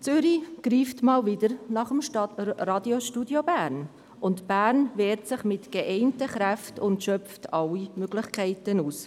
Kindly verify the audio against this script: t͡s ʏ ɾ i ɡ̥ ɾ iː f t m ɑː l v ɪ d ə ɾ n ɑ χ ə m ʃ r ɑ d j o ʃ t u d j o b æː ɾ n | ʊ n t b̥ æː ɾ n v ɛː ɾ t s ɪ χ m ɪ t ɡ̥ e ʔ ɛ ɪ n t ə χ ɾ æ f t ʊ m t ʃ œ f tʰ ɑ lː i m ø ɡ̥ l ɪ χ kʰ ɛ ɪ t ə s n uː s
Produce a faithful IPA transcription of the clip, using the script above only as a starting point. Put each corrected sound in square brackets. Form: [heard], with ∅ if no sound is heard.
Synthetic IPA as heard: t͡s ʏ ɾ i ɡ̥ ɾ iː f t m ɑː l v ɪ d ə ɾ n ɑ χ ə m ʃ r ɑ d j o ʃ t u d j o b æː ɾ n | ʊ n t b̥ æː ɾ n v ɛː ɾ t s ɪ χ m ɪ t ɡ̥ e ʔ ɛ ɪ n t ə χ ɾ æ f t ʊ [n] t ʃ œ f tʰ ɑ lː i m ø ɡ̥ l ɪ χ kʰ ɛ ɪ t ə [∅] n uː s